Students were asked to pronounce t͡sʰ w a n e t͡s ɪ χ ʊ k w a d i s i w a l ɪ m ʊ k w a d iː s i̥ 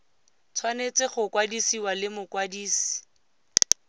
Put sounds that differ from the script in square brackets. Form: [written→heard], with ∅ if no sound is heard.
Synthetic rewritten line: t͡sʰ w a n e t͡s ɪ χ ʊ k w a d i s i w a l ɪ m ʊ k w a d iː s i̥